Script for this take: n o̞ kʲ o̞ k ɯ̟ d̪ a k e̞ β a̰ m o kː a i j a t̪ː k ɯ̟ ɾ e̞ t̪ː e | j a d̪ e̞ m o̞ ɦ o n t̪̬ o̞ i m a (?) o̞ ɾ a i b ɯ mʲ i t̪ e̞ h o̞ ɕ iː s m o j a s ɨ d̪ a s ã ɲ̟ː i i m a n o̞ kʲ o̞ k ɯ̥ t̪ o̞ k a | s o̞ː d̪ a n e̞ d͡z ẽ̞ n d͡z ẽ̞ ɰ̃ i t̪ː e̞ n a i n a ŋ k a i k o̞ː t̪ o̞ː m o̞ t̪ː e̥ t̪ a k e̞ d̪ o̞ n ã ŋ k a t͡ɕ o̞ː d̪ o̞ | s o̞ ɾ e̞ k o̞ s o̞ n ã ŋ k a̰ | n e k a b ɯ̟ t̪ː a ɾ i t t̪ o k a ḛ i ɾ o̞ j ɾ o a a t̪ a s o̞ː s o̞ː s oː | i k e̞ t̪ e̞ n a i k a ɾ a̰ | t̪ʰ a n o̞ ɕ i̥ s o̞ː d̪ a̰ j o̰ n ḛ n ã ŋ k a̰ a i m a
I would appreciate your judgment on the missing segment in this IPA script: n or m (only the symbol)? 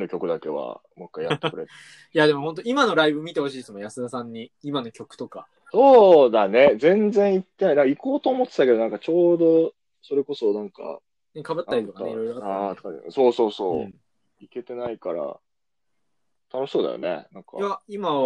n